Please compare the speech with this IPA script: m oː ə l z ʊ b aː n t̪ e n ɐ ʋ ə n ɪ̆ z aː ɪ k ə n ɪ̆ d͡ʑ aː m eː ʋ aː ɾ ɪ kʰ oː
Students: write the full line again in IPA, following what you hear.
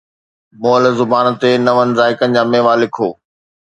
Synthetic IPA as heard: m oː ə l z ʊ b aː n t̪ e n ɐ ʋ ə n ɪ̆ z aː ɪ k ə n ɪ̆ d͡ʑ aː m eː ʋ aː l ɪ kʰ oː